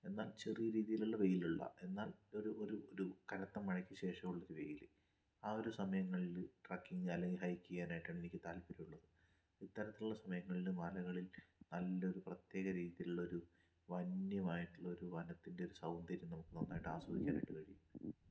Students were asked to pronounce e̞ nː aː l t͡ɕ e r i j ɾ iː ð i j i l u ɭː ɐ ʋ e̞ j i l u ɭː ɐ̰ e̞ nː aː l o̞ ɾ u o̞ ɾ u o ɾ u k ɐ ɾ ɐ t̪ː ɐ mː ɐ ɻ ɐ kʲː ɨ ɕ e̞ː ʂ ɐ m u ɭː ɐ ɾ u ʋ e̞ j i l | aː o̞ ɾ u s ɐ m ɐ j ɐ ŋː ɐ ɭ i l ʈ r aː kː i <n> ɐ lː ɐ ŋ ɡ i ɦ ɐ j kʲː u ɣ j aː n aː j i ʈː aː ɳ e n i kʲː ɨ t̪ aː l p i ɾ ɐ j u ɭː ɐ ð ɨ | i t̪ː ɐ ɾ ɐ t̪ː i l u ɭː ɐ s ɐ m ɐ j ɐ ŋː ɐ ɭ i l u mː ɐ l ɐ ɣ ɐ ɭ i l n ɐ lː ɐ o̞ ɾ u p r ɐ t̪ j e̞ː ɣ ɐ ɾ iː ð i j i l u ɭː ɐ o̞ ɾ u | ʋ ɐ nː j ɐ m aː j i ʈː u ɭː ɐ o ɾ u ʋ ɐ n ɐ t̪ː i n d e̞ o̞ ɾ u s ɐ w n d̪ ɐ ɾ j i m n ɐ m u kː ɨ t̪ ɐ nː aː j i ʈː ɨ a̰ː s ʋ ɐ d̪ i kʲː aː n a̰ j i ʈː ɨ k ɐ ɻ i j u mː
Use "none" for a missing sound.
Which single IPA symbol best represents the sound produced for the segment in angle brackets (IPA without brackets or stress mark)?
ŋ